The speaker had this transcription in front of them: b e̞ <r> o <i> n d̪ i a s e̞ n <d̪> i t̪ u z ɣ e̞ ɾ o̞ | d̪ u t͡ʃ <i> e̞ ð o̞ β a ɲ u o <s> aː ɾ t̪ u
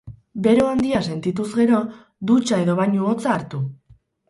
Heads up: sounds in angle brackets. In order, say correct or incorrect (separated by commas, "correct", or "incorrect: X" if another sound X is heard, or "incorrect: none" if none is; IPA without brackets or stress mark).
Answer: incorrect: ɾ, incorrect: a, incorrect: t̪, incorrect: a, incorrect: t͡s